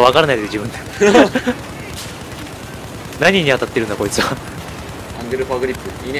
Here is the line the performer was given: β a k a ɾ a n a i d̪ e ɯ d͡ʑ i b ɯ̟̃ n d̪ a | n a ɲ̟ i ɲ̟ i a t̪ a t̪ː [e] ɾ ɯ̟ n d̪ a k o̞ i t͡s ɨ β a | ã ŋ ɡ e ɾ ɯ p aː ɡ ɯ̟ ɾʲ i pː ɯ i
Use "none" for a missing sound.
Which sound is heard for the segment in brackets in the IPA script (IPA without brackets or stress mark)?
e